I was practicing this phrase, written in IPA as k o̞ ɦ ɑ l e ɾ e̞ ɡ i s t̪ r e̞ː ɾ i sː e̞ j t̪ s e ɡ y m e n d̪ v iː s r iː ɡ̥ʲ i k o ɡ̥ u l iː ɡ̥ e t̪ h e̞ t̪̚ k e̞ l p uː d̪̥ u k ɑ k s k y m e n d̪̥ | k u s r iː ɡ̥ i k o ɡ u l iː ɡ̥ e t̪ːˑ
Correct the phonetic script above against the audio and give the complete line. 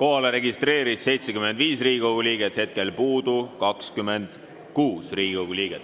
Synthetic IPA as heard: k o̞ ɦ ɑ l e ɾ e̞ ɡ i s t̪ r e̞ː ɾ i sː e̞ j t̪ s e k y m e n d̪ v iː s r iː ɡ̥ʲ i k o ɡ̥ u l iː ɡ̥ e t̪ h e̞ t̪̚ k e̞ l p uː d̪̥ u k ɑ k s k y m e n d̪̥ | k uː s r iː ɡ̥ i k o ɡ u l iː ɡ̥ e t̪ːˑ